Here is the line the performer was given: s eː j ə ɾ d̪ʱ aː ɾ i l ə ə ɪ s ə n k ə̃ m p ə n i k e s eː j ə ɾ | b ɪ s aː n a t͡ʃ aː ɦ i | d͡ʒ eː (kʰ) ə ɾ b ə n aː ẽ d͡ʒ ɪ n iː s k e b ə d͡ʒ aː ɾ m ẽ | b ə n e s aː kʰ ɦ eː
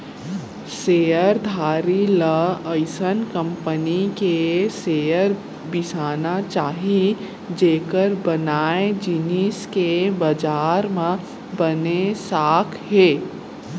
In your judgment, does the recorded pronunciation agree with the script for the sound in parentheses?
no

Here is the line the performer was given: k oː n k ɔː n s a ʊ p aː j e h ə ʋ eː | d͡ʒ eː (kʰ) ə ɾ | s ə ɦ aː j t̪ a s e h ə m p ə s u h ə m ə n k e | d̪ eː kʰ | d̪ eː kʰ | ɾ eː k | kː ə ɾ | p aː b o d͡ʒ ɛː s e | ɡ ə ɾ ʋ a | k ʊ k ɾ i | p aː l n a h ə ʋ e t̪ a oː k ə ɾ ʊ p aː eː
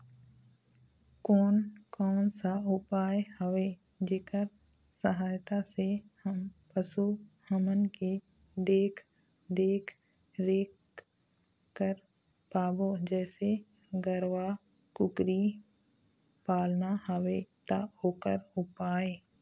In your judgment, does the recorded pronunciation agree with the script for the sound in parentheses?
no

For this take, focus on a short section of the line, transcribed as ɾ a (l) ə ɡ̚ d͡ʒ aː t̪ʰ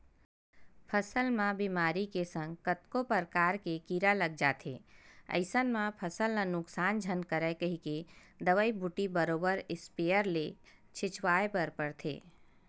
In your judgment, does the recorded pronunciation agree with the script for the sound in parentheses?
yes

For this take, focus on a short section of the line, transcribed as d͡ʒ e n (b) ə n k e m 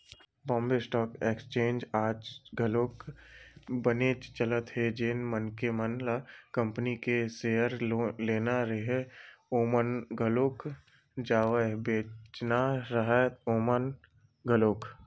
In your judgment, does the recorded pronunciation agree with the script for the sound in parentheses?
no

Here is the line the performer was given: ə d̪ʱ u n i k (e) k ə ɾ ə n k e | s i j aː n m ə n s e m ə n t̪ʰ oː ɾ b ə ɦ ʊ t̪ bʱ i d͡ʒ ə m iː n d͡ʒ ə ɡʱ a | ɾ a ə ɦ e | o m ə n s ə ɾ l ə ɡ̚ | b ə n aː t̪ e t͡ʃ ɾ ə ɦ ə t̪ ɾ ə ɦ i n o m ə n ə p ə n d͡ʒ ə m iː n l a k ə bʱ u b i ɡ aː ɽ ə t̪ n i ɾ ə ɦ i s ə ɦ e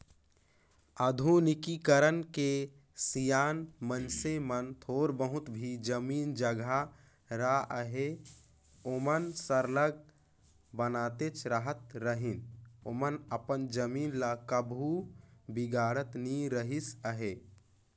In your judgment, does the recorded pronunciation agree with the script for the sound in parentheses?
no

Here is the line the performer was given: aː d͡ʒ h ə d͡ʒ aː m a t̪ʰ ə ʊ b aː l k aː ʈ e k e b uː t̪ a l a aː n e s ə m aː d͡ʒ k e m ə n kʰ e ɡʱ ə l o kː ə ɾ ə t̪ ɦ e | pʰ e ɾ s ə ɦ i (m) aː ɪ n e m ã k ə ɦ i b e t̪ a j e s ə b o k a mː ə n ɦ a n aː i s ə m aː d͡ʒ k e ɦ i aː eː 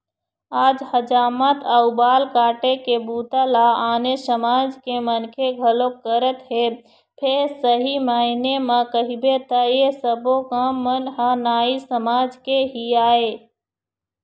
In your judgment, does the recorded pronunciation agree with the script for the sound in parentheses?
yes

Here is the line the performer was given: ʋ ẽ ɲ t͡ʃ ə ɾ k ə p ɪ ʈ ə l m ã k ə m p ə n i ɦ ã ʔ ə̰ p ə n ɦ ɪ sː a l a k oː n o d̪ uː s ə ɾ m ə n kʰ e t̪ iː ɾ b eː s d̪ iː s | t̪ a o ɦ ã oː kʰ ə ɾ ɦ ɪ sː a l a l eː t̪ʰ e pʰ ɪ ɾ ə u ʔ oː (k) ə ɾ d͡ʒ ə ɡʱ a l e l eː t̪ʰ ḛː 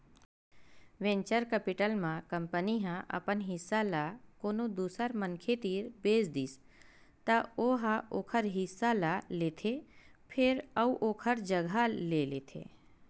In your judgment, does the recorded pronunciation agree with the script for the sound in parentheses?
no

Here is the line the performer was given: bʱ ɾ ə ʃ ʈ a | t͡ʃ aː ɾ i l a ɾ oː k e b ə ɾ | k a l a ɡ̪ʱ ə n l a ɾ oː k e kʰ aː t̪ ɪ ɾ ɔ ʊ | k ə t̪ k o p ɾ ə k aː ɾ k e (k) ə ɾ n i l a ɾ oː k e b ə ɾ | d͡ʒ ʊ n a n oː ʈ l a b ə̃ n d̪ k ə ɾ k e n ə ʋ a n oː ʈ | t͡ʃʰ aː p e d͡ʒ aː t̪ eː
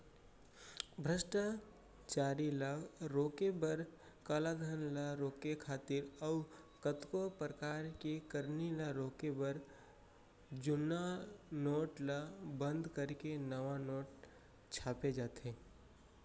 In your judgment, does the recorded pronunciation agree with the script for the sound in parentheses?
yes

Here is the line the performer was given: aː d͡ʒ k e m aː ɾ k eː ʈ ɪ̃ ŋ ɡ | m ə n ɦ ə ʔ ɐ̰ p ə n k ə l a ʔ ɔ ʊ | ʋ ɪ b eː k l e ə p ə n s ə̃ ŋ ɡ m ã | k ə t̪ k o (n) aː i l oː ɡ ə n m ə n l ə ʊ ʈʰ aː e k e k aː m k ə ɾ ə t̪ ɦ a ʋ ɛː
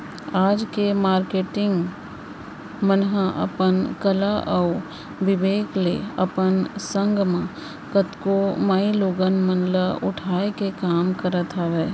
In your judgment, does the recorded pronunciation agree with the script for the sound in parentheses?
no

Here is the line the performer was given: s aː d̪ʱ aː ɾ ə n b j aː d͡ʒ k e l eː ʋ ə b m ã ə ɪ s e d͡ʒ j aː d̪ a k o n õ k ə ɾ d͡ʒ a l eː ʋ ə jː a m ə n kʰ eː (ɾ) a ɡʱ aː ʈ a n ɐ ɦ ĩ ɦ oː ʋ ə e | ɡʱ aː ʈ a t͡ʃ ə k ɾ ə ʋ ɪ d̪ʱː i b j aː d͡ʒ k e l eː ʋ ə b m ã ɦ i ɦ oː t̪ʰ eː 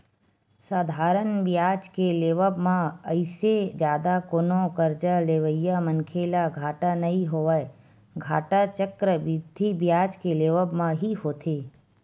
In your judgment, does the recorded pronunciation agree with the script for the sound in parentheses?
no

